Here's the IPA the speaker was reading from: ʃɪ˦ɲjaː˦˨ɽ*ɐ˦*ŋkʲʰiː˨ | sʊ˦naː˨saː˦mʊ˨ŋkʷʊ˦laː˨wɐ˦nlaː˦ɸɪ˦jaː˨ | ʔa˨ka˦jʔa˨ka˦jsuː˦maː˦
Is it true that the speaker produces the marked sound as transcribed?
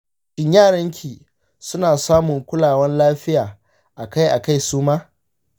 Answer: yes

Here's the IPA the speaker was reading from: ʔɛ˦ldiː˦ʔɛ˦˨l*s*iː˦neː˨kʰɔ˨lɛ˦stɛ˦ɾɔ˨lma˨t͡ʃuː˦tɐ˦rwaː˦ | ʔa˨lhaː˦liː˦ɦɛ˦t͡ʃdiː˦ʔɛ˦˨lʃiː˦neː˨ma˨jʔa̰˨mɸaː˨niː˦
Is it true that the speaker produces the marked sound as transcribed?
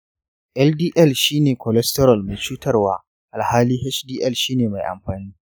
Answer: no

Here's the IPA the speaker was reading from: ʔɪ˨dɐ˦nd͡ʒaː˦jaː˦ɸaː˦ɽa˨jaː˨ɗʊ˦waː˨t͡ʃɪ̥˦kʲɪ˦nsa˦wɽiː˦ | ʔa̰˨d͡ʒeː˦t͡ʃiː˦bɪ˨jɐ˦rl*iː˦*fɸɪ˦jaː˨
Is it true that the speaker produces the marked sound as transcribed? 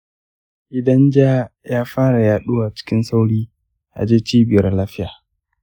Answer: no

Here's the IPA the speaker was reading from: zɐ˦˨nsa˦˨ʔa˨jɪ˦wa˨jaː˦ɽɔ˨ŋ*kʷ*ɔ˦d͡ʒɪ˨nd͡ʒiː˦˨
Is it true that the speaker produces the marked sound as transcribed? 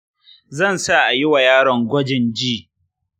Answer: no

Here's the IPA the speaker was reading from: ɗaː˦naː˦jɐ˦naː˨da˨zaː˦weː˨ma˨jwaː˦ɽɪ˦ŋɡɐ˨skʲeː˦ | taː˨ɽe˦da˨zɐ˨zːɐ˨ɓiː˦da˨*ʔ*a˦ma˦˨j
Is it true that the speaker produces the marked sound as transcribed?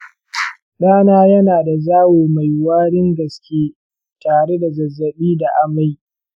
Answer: yes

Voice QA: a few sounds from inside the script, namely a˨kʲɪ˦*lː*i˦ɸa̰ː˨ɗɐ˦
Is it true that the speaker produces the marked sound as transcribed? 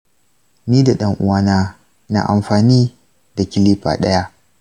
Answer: no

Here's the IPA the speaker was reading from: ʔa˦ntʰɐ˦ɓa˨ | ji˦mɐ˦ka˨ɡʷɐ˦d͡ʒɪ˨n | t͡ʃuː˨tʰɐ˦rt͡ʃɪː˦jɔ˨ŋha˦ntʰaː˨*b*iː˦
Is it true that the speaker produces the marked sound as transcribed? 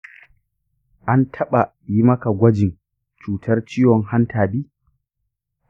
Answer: yes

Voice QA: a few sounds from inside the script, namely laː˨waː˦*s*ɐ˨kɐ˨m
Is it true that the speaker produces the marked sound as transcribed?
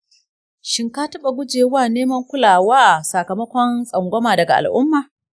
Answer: yes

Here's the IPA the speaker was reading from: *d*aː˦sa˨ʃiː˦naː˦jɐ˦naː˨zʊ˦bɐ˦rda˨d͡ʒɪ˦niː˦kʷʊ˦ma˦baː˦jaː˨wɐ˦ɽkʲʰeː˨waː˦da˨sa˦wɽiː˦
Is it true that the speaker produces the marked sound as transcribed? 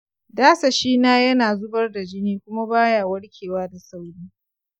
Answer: yes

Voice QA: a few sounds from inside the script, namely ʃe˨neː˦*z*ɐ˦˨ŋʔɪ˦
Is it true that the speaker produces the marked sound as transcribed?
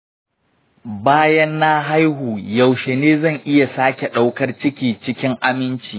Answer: yes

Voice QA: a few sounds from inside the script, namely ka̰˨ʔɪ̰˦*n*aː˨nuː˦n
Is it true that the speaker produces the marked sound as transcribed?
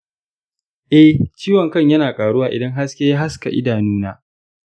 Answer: no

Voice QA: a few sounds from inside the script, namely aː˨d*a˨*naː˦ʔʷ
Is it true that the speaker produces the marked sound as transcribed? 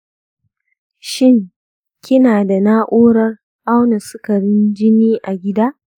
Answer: yes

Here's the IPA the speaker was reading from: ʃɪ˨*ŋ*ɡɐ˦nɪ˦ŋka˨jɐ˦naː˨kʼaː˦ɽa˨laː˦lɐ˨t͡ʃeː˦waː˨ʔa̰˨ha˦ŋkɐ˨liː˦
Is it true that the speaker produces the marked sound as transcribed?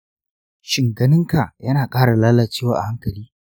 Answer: yes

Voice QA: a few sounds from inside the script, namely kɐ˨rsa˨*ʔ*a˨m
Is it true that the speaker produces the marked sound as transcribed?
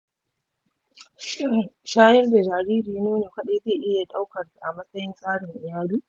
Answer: yes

